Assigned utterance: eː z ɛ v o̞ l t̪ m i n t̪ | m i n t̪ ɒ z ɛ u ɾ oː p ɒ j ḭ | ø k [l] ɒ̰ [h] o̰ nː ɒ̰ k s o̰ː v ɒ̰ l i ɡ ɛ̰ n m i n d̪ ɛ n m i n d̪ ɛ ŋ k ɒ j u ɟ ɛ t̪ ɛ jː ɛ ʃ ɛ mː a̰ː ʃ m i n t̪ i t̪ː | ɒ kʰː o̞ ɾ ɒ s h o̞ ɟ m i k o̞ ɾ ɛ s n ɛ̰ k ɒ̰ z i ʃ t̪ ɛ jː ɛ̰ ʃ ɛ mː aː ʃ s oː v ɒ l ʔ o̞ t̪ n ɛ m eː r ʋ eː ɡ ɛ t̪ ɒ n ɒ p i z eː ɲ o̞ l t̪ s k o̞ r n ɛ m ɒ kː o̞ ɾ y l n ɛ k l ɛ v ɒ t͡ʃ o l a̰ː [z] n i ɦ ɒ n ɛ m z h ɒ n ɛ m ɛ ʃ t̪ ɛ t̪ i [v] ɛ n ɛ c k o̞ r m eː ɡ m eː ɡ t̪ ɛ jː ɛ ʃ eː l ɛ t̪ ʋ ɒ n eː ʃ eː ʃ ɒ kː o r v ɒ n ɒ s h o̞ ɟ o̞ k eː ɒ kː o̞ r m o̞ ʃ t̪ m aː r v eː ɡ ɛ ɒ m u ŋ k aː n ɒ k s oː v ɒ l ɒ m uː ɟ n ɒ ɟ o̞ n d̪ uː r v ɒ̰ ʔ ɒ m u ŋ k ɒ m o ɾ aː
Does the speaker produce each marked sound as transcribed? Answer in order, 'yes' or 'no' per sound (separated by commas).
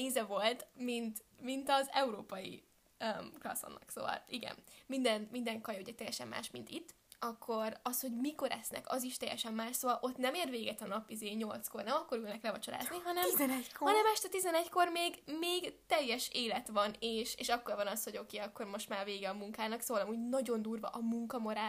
yes, no, yes, no